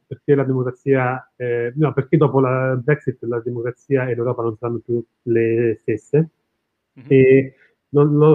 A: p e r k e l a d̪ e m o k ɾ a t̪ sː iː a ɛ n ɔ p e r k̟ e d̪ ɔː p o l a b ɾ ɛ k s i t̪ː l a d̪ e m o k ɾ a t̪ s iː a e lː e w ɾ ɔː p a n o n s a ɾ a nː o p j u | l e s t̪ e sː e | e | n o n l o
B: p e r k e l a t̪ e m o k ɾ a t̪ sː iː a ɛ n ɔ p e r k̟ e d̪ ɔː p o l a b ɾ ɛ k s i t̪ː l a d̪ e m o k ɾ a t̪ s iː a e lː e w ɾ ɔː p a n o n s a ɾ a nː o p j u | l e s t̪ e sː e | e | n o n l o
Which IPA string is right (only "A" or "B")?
A